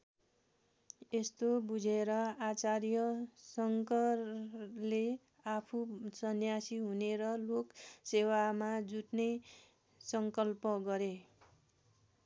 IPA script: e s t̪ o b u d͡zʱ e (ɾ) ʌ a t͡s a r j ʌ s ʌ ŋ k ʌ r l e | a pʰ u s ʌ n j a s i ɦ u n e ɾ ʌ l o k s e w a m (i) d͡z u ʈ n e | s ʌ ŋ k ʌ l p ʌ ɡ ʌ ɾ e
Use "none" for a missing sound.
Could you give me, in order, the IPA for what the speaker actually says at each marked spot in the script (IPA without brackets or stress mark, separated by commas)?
ɾ, a